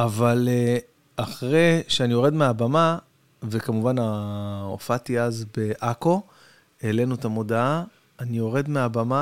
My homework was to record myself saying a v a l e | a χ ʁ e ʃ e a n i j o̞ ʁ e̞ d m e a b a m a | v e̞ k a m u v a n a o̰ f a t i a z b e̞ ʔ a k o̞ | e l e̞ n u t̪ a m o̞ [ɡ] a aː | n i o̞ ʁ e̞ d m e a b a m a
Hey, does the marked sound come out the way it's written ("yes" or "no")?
no